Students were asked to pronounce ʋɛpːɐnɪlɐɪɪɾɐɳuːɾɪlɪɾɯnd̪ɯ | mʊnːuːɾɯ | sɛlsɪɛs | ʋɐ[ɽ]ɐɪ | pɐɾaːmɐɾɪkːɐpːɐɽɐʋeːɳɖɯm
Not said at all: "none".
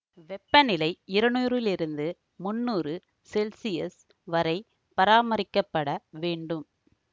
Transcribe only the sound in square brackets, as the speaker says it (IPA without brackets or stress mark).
ɾ